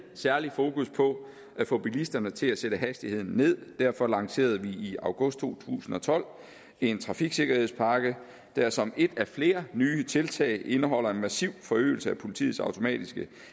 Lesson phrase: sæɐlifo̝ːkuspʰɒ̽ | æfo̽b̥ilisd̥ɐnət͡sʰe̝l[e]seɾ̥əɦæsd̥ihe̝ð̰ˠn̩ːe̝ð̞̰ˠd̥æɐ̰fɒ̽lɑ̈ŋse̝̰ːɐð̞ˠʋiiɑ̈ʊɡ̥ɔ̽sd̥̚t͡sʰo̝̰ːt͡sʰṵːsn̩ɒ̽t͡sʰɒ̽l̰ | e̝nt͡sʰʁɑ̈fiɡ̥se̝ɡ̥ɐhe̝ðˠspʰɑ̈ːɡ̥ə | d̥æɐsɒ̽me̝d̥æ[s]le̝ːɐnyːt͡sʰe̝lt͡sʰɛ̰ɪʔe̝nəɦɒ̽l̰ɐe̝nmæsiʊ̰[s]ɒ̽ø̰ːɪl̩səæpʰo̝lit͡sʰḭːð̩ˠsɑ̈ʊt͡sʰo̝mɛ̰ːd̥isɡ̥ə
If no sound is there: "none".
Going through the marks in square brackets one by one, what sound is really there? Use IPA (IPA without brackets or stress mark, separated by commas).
æ, f, f